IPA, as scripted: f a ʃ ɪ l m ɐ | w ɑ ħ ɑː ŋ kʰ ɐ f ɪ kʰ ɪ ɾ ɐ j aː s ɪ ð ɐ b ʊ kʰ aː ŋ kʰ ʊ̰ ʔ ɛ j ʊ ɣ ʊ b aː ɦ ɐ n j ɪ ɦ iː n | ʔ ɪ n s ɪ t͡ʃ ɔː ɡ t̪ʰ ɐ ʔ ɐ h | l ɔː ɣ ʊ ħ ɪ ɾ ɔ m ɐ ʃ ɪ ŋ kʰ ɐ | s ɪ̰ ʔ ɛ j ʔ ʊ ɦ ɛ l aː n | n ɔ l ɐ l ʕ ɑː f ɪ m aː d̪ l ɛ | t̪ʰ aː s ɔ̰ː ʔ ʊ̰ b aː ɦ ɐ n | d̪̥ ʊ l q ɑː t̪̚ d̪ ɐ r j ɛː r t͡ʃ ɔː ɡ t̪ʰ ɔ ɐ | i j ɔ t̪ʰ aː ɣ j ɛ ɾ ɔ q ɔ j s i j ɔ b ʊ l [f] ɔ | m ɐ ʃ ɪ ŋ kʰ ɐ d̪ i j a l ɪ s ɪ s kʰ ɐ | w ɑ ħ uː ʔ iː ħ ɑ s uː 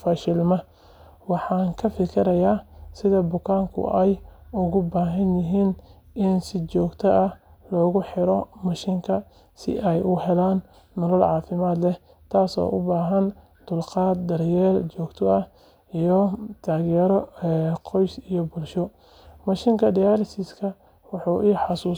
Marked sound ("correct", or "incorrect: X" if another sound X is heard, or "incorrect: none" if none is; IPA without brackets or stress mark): incorrect: ʃ